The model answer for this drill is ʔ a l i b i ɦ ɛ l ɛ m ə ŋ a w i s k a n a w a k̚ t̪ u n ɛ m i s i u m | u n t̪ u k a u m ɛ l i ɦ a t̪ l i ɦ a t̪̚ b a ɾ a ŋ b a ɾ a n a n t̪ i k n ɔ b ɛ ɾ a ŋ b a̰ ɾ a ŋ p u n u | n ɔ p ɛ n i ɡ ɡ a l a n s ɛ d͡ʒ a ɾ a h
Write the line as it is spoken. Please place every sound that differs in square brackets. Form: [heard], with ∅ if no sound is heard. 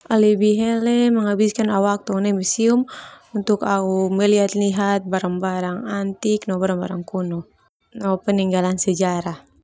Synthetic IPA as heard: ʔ a l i b i ɦ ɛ l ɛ m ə ŋ a [b] i s k a n a w a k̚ t̪ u n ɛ m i s i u m | u n t̪ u k a u m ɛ l i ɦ a t̪ l i ɦ a t̪̚ b a ɾ a ŋ b a ɾ a [ŋ] a n t̪ i k n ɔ b [a] ɾ a ŋ b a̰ ɾ a ŋ [k] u n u | n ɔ p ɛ n i [ŋ] ɡ a l a n s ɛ d͡ʒ a ɾ a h